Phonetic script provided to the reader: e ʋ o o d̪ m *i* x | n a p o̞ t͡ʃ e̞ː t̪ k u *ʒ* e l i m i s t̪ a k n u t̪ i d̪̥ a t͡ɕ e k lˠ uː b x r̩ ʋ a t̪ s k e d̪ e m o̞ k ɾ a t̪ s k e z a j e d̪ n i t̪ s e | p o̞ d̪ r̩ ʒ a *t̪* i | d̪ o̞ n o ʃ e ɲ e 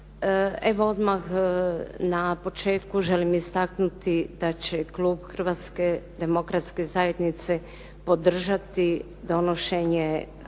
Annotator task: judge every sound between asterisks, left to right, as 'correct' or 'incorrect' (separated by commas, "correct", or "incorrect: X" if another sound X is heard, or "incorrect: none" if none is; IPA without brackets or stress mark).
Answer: incorrect: a, correct, correct